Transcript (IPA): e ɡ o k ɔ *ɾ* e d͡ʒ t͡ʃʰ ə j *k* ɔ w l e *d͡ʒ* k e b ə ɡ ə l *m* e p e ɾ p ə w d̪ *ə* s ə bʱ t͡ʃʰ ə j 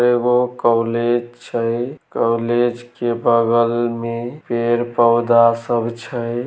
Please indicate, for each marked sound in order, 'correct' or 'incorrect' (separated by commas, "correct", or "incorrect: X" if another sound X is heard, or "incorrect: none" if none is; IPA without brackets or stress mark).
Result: incorrect: l, correct, correct, correct, incorrect: a